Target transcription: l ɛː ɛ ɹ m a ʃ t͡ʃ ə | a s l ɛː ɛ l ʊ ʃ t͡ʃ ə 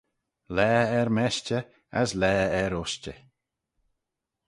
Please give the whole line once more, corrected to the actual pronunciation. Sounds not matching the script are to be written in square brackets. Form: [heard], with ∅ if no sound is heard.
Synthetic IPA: l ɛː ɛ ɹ m [ɛ] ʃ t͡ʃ ə | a s l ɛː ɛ [ɾ] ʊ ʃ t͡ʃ ə